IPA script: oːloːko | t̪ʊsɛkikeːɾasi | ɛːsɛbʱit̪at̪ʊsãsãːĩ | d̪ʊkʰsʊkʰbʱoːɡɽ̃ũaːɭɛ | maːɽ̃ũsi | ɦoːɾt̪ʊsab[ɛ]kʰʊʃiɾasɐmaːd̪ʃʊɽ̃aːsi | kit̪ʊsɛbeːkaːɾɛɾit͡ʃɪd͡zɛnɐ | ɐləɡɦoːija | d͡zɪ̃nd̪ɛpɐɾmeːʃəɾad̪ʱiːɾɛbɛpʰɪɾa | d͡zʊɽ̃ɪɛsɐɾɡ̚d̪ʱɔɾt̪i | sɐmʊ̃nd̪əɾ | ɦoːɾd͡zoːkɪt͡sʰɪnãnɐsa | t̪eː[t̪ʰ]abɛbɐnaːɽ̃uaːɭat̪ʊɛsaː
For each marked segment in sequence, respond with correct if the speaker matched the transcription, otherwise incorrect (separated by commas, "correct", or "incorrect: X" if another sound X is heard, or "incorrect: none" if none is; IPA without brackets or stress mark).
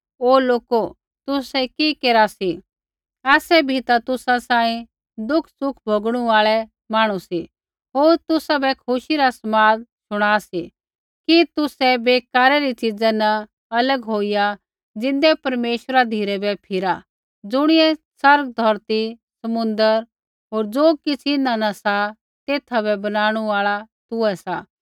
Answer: correct, correct